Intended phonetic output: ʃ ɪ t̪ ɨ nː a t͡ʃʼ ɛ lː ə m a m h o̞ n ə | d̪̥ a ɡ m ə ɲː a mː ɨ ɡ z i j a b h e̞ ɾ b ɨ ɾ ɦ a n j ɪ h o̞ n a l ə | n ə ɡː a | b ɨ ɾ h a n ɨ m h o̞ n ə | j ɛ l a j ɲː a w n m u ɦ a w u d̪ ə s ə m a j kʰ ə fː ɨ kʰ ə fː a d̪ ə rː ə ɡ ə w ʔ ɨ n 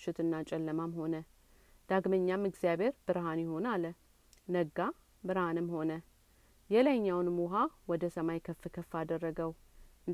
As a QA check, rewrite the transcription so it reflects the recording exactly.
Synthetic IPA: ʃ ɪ t̪ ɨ nː a t͡ʃʼ ɛ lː ə m a m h o̞ n ə | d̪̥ a ɡ m ə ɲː a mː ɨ ɡ z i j a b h e̞ ɾ b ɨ ɾ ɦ a n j ɪ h o̞ n a l ə | n ə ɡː a | b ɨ ɾ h a n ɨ m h o̞ n ə | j ɛ l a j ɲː a w n m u ɦ a w ɔ d̪ ə s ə m a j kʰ ə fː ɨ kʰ ə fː a d̪ ə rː ə ɡ ə w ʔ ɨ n